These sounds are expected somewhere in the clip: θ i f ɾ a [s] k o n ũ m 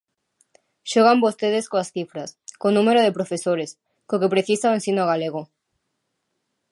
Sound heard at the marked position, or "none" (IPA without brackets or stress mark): s